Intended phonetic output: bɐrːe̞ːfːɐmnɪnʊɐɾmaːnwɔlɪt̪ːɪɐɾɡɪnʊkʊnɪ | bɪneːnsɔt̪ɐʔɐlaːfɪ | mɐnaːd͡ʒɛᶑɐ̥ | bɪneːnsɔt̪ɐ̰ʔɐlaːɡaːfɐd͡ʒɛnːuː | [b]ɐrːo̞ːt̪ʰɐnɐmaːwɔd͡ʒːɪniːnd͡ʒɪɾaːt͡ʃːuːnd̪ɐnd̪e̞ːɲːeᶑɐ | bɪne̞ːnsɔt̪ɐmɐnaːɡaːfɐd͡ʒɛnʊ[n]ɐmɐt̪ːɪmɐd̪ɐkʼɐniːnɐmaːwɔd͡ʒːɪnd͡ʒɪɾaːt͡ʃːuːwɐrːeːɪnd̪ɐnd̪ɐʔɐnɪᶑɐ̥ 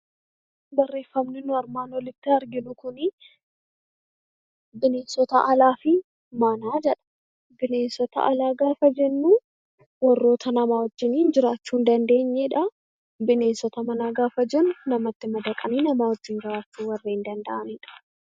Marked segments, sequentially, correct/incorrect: incorrect, correct

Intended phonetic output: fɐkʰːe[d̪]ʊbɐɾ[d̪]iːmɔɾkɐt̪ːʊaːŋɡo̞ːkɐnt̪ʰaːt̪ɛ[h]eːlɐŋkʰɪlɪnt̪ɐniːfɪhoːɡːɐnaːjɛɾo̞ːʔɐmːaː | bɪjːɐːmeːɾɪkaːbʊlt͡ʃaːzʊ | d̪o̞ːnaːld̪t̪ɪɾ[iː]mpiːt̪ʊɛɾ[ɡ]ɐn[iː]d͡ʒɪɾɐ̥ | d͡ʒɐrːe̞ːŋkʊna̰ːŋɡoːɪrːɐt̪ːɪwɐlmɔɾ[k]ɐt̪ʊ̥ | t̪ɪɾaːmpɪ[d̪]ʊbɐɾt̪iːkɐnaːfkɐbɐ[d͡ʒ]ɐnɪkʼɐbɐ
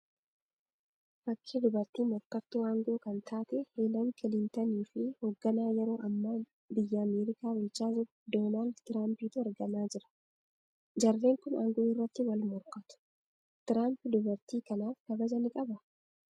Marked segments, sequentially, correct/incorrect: correct, incorrect, correct, incorrect, correct, incorrect, correct, correct, correct

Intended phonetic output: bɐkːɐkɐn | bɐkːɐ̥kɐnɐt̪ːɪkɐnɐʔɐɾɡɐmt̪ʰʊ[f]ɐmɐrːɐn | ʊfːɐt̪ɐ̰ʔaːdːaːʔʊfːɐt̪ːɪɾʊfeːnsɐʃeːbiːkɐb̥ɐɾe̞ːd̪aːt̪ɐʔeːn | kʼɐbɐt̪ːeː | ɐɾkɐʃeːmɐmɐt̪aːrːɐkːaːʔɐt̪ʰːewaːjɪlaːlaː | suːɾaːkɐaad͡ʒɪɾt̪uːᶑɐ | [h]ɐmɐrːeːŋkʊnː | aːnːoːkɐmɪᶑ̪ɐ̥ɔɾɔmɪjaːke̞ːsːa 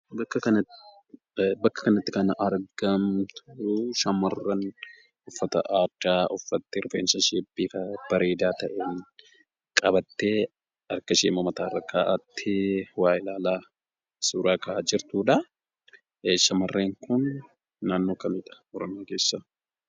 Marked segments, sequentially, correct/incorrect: incorrect, incorrect

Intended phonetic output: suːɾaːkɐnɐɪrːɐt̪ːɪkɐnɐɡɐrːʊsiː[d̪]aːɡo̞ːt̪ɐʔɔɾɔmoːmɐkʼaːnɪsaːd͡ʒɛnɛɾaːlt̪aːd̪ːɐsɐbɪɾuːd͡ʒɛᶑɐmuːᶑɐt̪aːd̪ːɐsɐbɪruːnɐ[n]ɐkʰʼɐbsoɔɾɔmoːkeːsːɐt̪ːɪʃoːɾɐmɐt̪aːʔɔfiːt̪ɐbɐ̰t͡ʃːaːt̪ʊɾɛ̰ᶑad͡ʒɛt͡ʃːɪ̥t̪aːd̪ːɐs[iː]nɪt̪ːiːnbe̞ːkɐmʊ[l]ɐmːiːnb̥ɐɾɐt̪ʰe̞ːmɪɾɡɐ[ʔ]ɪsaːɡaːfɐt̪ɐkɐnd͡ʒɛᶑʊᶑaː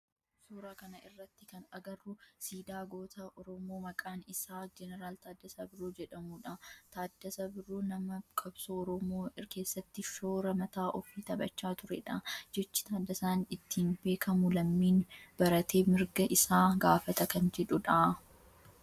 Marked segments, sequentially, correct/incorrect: correct, incorrect, incorrect, correct, correct

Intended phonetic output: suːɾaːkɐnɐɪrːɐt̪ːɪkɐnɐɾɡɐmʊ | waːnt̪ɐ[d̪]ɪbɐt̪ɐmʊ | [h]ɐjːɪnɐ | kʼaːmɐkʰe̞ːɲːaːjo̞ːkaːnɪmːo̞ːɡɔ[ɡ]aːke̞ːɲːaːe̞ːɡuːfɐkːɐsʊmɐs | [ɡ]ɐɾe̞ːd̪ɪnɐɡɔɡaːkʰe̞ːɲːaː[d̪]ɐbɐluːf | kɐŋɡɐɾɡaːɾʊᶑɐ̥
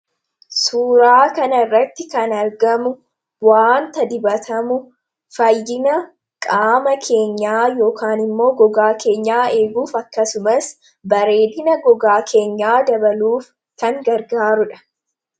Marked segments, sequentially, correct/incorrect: correct, incorrect, correct, incorrect, correct

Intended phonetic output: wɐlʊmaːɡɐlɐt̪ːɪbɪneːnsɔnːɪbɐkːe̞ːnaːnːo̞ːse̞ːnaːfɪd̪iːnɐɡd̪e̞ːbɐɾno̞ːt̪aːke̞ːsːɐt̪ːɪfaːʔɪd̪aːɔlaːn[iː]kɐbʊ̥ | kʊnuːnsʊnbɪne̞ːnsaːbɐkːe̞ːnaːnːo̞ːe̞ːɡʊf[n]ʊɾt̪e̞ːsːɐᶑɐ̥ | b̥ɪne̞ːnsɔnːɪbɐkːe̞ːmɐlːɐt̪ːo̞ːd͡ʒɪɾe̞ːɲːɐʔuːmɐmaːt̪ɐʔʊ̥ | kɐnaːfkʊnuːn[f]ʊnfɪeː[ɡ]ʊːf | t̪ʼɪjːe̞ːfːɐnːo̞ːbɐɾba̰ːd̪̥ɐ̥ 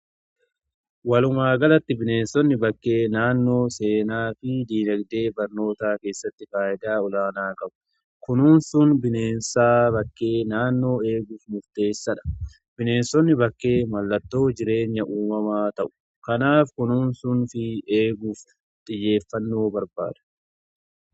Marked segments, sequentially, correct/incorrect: incorrect, incorrect, incorrect, correct

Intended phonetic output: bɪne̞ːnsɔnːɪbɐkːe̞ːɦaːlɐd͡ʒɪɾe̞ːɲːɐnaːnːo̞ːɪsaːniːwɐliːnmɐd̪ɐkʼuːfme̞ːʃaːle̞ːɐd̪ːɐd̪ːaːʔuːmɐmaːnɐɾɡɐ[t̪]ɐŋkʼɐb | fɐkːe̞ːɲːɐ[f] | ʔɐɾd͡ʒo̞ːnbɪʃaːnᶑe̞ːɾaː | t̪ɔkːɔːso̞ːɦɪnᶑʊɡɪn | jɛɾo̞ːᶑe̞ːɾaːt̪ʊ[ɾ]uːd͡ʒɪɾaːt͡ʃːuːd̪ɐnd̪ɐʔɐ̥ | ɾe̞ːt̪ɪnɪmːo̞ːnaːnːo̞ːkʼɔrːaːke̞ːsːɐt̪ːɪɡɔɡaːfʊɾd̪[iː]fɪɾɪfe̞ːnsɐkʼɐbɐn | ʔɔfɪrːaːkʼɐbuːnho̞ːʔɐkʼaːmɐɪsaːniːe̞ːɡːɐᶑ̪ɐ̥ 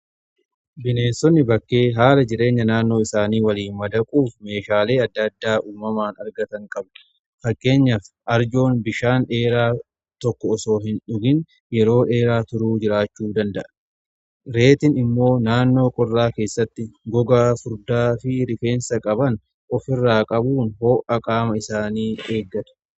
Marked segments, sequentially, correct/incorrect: correct, correct, correct, incorrect

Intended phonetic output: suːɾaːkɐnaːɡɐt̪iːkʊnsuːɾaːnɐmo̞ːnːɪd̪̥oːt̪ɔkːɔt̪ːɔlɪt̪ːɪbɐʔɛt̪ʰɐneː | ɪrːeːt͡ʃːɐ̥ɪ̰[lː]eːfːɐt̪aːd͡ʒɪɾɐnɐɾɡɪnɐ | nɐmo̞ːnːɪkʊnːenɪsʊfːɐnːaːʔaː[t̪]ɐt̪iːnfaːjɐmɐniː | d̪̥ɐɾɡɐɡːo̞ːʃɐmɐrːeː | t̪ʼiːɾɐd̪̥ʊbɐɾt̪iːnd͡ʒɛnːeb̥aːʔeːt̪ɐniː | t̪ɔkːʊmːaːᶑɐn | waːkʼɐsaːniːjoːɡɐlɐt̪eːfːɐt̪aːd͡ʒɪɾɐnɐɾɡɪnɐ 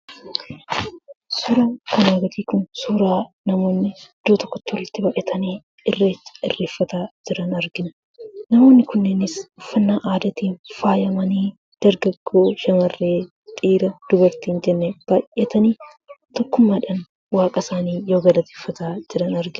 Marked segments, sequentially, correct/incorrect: incorrect, incorrect

